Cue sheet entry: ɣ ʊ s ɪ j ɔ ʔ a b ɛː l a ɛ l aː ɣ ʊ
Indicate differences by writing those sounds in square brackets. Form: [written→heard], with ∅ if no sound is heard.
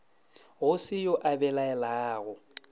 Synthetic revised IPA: ɣ ʊ s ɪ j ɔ ʔ a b [ɛː→ɛ] l a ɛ l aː ɣ ʊ